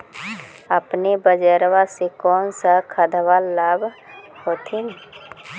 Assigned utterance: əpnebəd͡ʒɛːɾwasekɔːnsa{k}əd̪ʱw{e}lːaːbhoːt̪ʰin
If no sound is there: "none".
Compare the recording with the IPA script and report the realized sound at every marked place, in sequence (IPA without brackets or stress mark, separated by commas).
kʰ, a